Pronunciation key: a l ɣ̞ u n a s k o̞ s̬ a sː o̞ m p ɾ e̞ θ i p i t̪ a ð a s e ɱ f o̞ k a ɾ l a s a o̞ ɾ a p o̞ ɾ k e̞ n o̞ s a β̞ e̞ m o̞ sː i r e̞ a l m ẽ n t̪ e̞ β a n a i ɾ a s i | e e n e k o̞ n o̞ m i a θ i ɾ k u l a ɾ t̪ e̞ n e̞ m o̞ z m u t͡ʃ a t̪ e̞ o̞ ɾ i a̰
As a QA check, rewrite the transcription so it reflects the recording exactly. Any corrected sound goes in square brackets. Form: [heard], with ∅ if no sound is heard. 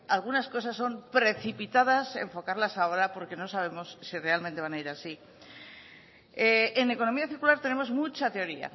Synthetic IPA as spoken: a l ɣ̞ u n a s k o̞ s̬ a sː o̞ m p ɾ e̞ θ i p i t̪ a ð a s e ɱ f o̞ k a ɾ l a s a o̞ ɾ a p o̞ ɾ k e̞ n o̞ s a β̞ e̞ m o̞ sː i r e̞ a l m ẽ n t̪ e̞ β a n a i ɾ a s i | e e n e k o̞ n o̞ m i a θ i ɾ k u l a ɾ t̪ e̞ n e̞ m o̞ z m u t͡ʃ a t̪ e̞ o̞ ɾ i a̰